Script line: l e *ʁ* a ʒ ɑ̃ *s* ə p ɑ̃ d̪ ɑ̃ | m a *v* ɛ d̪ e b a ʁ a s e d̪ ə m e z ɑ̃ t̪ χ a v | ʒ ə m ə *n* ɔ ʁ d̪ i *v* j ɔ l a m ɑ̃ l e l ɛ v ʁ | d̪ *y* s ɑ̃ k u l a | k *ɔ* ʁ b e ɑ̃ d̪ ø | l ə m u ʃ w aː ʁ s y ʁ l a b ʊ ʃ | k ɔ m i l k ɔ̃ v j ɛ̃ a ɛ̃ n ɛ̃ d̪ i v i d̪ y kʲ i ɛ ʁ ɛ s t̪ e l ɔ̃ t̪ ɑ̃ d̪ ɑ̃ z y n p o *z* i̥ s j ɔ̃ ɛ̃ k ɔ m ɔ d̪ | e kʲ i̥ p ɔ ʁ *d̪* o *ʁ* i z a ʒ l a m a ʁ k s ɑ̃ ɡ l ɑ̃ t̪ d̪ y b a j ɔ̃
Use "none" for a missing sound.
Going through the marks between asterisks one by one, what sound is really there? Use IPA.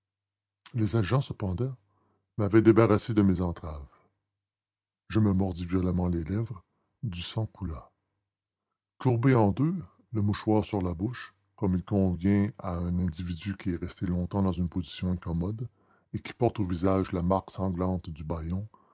z, s, v, m, v, y, u, z, t̪, v

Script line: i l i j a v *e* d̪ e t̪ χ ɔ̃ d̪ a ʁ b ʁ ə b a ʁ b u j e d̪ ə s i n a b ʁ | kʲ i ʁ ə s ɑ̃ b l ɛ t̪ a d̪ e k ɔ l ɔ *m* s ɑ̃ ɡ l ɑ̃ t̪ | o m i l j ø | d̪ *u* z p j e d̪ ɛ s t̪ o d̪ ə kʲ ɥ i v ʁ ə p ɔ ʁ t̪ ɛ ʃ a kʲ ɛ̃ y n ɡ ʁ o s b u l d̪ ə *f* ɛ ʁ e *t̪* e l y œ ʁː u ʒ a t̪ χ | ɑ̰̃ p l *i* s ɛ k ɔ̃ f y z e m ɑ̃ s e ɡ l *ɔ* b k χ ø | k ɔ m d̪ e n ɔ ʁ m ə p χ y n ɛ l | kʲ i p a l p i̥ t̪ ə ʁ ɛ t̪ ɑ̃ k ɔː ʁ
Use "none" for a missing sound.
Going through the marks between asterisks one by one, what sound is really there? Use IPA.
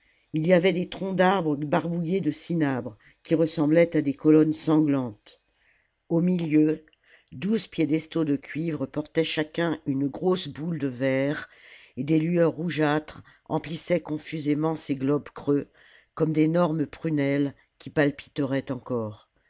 ɛ, n, u, v, d̪, i, ɔ

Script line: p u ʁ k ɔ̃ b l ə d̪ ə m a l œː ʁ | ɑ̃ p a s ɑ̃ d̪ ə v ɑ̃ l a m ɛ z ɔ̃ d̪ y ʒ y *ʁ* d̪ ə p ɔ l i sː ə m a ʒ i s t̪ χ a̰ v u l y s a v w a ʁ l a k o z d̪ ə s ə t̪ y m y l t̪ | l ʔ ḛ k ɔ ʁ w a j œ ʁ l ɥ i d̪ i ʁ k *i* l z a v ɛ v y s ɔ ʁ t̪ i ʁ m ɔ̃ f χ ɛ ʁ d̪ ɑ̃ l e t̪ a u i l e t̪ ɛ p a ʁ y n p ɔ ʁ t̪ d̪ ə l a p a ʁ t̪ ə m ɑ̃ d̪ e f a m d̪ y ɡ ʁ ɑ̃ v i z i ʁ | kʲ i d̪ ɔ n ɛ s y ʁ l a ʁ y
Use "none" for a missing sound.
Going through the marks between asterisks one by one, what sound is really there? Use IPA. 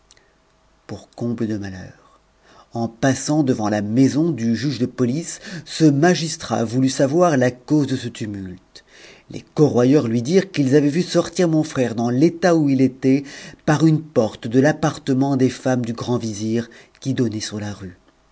ʒ, i

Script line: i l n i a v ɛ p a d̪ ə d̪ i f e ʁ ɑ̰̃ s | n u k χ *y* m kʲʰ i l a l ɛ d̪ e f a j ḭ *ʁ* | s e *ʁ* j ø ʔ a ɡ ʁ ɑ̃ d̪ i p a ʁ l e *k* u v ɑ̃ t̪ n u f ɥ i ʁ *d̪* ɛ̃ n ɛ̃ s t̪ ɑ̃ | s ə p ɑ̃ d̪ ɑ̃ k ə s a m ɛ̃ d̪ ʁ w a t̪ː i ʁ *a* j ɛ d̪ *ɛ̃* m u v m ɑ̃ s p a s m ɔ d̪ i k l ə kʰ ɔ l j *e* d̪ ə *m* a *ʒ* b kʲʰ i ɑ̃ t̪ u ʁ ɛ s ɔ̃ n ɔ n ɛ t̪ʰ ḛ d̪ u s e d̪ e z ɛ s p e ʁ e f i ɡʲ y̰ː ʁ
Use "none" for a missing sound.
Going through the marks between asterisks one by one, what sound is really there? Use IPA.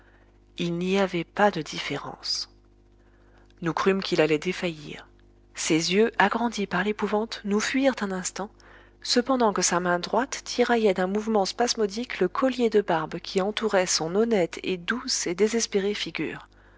y, ʁ, z, p, t̪, a, ɛ̃, e, b, ʁ

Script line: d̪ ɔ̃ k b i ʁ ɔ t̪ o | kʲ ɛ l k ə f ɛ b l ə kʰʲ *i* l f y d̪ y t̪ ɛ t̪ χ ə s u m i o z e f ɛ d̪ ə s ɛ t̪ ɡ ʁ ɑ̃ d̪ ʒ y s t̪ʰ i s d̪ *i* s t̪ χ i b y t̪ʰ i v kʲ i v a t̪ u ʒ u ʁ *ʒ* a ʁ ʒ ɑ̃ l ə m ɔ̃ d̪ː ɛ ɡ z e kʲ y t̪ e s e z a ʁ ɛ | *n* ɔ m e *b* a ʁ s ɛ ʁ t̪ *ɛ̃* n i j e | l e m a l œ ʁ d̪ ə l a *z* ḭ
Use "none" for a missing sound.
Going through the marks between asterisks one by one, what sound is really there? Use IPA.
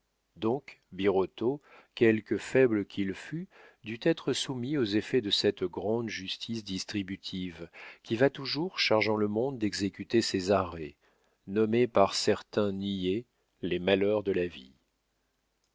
i, i, ʃ, n, p, ɛ̃, v

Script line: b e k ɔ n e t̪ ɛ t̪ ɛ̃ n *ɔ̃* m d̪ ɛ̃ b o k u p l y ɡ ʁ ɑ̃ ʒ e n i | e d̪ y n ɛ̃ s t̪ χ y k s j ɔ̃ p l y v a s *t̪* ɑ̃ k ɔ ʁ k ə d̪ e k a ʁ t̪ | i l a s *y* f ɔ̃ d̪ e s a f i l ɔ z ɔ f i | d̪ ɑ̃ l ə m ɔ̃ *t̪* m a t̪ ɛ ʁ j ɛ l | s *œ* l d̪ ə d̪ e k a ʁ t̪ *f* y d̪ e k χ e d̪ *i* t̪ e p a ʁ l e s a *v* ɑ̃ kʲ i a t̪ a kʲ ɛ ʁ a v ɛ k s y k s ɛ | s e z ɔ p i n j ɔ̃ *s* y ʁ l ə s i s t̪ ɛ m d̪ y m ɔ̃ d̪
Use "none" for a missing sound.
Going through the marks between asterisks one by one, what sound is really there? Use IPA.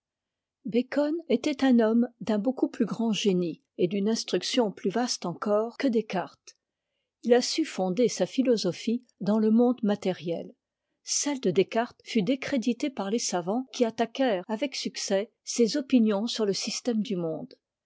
ɔ, t̪, y, d̪, ɛ, f, i, v, s

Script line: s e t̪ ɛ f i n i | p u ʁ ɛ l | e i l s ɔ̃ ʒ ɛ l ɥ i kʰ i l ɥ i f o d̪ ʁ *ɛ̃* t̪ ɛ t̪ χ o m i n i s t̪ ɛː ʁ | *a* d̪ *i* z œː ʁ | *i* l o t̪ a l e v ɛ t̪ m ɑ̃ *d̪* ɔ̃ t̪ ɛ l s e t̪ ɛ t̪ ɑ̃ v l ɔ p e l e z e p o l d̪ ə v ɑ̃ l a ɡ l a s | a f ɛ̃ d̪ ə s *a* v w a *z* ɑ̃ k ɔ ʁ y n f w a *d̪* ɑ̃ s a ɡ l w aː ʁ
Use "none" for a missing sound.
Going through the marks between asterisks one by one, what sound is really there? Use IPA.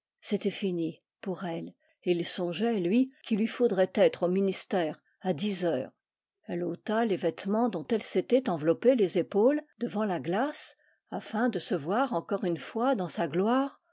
ɛ, a, i, ɛ, d̪, ə, ʁ, d̪

